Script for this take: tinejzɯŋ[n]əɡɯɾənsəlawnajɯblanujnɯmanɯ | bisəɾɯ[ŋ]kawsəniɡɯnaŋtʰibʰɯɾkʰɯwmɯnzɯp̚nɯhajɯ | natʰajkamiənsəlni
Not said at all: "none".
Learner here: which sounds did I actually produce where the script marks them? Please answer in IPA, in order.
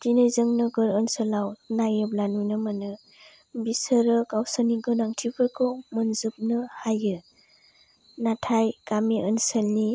n, none

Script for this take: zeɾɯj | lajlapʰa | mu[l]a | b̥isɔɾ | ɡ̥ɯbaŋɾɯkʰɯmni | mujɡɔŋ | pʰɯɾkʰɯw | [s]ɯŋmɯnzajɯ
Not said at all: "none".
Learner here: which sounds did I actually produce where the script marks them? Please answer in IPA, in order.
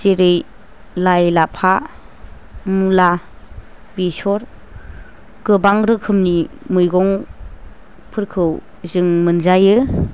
l, z

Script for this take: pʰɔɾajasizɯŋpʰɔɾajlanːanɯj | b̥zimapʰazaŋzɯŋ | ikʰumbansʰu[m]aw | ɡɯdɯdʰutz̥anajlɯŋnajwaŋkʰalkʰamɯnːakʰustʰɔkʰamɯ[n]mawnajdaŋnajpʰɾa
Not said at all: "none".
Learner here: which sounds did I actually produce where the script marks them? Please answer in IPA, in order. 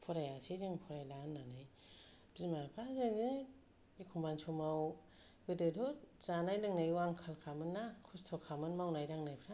m, n

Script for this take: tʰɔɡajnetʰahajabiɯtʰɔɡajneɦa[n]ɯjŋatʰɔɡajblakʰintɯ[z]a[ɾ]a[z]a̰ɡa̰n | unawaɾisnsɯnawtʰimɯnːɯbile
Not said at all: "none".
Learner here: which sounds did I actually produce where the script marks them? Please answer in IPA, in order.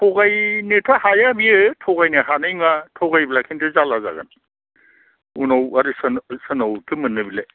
n, z, l, z

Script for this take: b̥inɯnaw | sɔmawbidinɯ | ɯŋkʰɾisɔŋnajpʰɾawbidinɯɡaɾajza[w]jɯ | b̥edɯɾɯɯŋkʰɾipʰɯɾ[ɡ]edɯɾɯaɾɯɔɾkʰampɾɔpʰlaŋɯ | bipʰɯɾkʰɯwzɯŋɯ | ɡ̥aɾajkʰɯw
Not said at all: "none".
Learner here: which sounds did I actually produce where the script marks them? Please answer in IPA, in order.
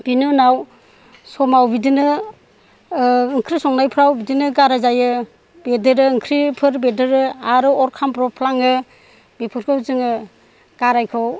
none, b

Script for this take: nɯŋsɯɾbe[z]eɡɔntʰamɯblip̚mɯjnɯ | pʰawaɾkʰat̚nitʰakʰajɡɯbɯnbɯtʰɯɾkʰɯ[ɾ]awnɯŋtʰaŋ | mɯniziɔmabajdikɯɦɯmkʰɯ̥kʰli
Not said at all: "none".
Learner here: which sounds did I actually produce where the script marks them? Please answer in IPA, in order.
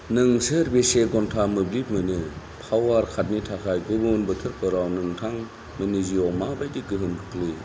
s, ɾ

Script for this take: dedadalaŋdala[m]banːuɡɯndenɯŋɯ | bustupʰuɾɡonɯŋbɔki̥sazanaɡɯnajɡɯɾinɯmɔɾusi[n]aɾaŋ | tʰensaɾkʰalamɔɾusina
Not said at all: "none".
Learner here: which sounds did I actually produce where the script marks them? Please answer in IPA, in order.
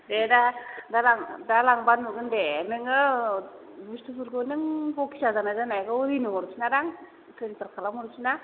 ŋ, n

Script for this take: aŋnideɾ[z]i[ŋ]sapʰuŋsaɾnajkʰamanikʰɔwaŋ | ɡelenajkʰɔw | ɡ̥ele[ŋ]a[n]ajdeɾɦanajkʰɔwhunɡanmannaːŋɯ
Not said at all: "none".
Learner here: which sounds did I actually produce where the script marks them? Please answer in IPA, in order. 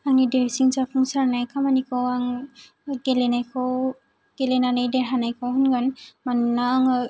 s, ŋ, n, n

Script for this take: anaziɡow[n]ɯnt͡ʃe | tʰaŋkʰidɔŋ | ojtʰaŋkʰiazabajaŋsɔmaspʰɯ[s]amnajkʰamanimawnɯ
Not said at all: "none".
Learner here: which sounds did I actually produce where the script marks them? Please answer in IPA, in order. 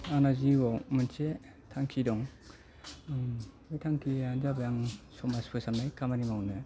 m, s

